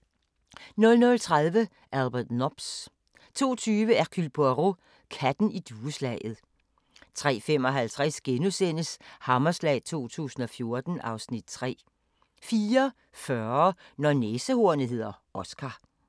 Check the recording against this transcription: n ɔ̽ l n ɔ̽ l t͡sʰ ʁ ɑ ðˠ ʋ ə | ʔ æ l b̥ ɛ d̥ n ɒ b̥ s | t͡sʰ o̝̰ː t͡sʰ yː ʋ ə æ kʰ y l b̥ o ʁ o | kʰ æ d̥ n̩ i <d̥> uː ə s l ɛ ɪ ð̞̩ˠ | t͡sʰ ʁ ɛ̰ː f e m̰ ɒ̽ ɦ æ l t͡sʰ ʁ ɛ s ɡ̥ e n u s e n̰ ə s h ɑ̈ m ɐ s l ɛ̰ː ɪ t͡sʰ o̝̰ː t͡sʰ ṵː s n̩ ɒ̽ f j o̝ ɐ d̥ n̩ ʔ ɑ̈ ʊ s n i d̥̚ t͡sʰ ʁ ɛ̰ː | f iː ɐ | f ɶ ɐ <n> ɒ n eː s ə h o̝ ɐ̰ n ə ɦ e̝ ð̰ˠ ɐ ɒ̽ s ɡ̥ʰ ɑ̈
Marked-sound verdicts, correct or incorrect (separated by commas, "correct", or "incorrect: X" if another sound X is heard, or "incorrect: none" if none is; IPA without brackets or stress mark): correct, correct